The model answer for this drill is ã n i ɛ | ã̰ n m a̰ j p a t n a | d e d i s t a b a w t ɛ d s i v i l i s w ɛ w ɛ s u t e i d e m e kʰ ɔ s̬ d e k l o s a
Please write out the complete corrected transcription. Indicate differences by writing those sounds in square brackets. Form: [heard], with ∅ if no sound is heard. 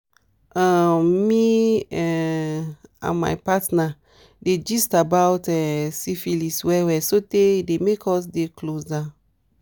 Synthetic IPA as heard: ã [m] i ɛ | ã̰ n m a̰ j p a t n a | d e [d͡ʒ] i s t a b a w t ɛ [∅] s i [f] i l i s w ɛ w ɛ s [o] t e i d e m e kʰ ɔ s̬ d e k l o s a